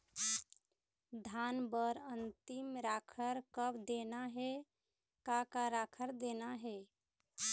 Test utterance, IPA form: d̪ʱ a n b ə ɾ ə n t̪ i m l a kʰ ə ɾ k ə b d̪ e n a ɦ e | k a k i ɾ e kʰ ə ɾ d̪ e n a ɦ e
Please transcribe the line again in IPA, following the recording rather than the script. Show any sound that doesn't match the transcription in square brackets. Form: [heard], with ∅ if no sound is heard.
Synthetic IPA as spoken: d̪ʱ a n b ə ɾ ə n t̪ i m [ɾ] a kʰ ə ɾ k ə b d̪ e n a ɦ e | k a k [a] ɾ [a] kʰ ə ɾ d̪ e n a ɦ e